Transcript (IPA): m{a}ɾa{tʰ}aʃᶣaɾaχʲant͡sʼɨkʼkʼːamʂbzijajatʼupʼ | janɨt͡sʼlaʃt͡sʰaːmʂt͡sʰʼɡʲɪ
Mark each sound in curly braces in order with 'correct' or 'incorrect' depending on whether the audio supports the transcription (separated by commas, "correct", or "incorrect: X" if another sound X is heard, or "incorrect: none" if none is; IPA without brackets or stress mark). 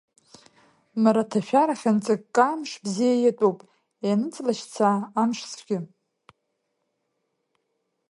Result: correct, correct